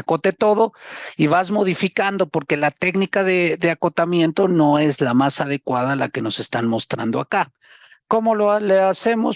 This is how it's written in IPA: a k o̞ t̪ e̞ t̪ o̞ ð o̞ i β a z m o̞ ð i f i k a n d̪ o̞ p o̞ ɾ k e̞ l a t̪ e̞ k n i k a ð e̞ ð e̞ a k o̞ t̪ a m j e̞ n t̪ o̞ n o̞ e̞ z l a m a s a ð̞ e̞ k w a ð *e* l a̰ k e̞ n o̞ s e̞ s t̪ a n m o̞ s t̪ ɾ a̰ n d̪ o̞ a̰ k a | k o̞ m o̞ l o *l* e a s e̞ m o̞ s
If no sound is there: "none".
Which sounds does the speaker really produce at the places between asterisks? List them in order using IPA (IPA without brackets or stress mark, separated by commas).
a, l